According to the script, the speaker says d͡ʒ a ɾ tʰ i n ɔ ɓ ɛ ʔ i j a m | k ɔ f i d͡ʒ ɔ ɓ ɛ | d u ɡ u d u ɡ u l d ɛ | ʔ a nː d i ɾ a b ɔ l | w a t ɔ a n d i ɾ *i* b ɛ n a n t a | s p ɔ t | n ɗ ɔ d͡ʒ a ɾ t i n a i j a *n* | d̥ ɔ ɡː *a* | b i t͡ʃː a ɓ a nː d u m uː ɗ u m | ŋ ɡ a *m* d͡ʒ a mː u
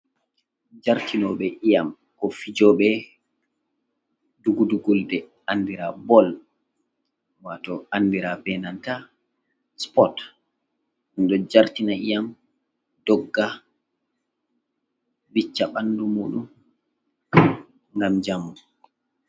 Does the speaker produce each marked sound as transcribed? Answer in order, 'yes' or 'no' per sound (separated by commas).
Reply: no, no, yes, yes